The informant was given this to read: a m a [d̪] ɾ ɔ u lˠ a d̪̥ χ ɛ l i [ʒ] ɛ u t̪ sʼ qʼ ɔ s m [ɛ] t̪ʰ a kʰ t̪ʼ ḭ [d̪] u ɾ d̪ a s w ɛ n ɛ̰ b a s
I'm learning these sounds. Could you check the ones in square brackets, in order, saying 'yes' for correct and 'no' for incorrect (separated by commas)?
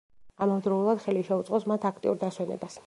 yes, no, no, no